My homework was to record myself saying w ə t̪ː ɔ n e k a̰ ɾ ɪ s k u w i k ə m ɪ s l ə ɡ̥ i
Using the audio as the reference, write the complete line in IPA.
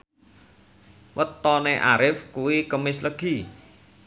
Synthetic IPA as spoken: w ə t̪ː ɔ n e ʔ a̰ ɾ ɪ f k u w i k ə m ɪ s l ə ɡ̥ i